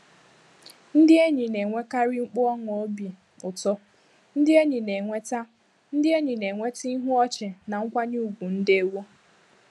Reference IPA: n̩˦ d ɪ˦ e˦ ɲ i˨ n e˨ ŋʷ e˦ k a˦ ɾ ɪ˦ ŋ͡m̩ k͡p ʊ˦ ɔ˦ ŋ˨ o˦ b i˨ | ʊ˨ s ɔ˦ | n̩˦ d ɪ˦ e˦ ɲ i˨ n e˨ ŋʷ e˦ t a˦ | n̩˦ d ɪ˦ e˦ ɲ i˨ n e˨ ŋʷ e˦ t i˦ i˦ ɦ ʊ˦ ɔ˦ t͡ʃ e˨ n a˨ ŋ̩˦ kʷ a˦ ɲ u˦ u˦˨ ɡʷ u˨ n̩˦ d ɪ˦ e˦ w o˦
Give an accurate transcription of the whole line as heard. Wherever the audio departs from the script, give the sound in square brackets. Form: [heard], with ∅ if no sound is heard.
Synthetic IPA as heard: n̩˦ d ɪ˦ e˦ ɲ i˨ n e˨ ŋʷ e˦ k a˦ ɾ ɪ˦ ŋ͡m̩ k͡p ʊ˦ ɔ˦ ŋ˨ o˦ b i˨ | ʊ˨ [t] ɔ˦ | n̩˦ d ɪ˦ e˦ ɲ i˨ n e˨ ŋʷ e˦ t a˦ | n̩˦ d ɪ˦ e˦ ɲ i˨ n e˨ ŋʷ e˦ t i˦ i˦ ɦ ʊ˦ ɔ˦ t͡ʃ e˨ n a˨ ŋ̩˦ kʷ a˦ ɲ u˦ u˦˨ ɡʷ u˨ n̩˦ d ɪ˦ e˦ w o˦